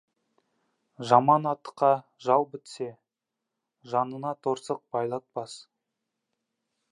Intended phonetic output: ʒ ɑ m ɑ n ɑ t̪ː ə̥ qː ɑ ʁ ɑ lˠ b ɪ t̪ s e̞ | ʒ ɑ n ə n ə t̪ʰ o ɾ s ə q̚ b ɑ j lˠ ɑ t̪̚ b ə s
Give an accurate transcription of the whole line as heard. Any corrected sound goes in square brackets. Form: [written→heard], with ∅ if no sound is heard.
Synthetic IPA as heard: ʒ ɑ m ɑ n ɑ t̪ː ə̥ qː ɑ [ʁ→ʒ] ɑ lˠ b ɪ t̪ s e̞ | ʒ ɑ n ə n [ə→ɑ] t̪ʰ o ɾ s ə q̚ b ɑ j lˠ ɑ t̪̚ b [ə→ɑ] s